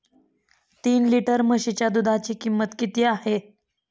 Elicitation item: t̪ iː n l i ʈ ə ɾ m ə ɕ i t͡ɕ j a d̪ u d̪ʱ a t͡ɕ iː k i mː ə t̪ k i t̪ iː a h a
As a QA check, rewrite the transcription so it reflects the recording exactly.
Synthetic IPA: t̪ iː n l i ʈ ə ɾ m ə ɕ i t͡ɕ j a d̪ u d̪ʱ a t͡ɕ iː k i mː ə t̪ k i t̪ iː a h e